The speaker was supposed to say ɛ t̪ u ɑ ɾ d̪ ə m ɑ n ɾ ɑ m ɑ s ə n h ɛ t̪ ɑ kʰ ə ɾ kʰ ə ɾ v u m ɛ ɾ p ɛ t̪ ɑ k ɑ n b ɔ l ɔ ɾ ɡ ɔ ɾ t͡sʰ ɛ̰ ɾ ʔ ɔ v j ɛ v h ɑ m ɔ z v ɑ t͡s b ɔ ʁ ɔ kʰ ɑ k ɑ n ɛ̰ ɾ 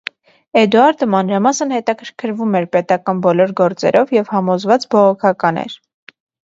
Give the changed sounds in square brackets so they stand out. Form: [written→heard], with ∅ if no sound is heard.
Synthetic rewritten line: ɛ [t̪→d̪] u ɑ ɾ d̪ ə m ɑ n ɾ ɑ m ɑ s ə n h ɛ t̪ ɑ kʰ ə ɾ kʰ ə ɾ v u m ɛ ɾ p ɛ t̪ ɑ k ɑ n b ɔ l ɔ ɾ ɡ ɔ ɾ [t͡sʰ→t͡s] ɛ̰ ɾ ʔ ɔ v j ɛ v h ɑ m ɔ z v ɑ t͡s b ɔ ʁ ɔ kʰ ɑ k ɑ n ɛ̰ ɾ